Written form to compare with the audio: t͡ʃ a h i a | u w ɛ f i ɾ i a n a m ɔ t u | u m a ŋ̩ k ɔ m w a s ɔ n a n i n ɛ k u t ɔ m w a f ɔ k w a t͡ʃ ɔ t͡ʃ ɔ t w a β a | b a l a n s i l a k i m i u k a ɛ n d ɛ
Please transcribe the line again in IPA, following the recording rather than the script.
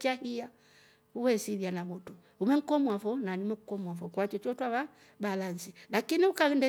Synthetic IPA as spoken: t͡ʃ a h i a | u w ɛ s i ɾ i a n a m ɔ t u | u m ɛ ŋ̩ k ɔ m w a f ɔ n a n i m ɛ k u k ɔ m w a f ɔ k w a t͡ʃ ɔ t͡ʃ ɔ t w a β a | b a l a n s i l a k i n i u k a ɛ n d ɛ